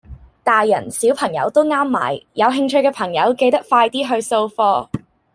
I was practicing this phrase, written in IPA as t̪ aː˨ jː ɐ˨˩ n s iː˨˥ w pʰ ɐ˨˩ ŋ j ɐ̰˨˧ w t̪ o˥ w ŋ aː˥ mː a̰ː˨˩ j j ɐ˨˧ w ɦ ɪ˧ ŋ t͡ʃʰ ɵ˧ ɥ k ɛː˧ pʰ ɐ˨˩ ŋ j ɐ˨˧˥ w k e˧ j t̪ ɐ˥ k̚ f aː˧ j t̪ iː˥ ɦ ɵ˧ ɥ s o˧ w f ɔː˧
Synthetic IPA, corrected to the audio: t̪ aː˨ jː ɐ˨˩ n s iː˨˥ w pʰ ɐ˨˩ ŋ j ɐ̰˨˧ w t̪ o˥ w ŋ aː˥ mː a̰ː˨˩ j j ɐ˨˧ w ɦ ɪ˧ ŋ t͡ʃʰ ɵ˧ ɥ k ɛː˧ pʰ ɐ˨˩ ŋ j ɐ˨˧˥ w k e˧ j t̪ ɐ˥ k̚ f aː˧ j t̪ iː˥ ɦ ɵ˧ ɥ s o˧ w f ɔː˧